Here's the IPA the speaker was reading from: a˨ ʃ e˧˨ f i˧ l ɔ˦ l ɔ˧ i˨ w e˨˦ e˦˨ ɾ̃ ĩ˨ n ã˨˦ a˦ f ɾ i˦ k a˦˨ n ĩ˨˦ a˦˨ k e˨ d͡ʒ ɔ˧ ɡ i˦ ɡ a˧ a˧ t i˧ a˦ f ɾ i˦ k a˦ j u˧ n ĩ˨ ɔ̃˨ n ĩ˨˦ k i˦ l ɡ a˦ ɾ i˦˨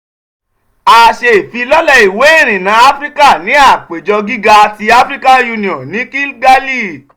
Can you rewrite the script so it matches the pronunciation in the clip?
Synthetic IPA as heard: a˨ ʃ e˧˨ f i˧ l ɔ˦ l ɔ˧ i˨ w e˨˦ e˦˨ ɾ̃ ĩ˨ n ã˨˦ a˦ f ɾ i˦ k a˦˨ n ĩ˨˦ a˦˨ k͡p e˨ d͡ʒ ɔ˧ ɡ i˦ ɡ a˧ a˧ t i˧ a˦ f ɾ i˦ k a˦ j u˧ n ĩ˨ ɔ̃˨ n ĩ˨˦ k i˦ l ɡ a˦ l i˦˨